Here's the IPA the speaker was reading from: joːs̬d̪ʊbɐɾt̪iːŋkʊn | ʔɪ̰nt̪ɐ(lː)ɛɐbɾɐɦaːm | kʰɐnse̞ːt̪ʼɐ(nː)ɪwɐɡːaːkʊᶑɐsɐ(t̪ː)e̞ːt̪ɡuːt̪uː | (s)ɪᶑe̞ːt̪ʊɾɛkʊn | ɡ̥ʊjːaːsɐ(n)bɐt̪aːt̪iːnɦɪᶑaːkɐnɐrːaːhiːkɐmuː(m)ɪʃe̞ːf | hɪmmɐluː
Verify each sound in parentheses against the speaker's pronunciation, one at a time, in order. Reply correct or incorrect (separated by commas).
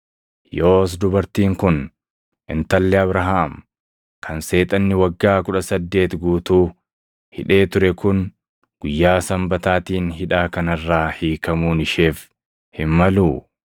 correct, correct, incorrect, incorrect, incorrect, incorrect